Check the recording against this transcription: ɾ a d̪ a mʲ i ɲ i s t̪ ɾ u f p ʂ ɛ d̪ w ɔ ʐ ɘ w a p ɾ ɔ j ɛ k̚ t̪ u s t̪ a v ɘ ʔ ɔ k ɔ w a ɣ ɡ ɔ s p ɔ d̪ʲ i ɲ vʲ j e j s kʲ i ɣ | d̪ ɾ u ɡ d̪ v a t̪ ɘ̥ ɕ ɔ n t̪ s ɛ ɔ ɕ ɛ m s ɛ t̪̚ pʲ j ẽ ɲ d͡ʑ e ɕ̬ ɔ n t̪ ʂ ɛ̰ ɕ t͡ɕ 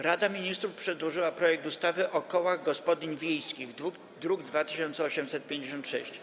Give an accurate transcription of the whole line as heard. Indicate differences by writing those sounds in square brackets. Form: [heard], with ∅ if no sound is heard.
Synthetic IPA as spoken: ɾ a d̪ a mʲ i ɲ i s t̪ ɾ u f p ʂ ɛ d̪ w ɔ ʐ ɘ w a p ɾ ɔ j ɛ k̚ t̪ u s t̪ a v ɘ ʔ ɔ k ɔ w a ɣ ɡ ɔ s p ɔ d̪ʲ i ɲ vʲ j e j s kʲ i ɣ | d̪ ɾ u ɡ d̪ v a t̪ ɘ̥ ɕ ɔ n t̪ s ɛ ɔ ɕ ɛ m s ɛ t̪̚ pʲ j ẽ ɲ d͡ʑ e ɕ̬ ɔ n t̪ ʂ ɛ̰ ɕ t͡ɕ